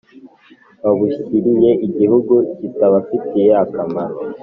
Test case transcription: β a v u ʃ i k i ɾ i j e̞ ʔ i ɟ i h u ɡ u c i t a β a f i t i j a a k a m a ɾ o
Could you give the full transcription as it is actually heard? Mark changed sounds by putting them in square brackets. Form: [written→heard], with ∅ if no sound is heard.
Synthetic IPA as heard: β a [v→β] u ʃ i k i ɾ i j e̞ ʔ i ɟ i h u ɡ u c i t a β a f i t i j [a→e] a k a m a ɾ o